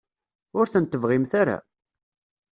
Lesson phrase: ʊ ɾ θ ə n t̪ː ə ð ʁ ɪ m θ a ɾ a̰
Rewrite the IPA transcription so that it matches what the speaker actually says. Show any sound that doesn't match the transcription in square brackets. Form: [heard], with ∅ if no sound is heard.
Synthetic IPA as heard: ʊ ɾ θ ə n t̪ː ə [v] ʁ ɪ m θ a ɾ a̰